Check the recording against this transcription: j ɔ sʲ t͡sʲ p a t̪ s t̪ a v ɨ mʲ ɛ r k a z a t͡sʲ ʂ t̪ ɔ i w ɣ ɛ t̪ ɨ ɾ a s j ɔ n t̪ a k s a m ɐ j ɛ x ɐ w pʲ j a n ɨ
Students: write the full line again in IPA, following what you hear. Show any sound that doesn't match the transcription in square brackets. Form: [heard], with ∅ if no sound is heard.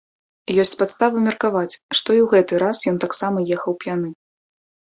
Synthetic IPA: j ɔ sʲ t͡sʲ p a t̪ s t̪ a v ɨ mʲ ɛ r k a [v] a t͡sʲ ʂ t̪ ɔ i w ɣ ɛ t̪ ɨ ɾ a s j ɔ n t̪ a k s a m ɐ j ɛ x ɐ w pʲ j a n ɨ